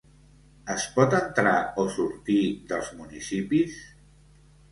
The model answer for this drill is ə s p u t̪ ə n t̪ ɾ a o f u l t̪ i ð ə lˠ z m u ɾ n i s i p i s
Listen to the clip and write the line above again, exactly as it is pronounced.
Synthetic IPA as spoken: ə s p ɔ t̪ ə n t̪ ɾ a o s u ɾ t̪ i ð ə lˠ z m u n i s i p i s